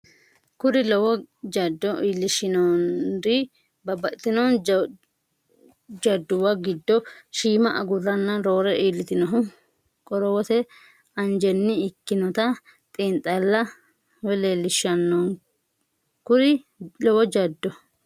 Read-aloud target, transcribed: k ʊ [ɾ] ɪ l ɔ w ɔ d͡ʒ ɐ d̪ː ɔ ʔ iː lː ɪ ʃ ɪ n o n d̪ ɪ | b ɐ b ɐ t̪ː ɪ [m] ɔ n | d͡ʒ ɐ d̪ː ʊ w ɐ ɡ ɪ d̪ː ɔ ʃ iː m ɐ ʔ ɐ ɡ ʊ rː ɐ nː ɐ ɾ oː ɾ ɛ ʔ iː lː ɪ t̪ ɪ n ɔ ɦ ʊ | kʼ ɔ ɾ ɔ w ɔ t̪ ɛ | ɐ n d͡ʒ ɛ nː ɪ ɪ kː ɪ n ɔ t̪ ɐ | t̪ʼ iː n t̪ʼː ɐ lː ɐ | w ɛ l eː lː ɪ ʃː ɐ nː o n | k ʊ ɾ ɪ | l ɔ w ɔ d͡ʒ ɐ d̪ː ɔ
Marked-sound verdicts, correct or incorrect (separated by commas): correct, incorrect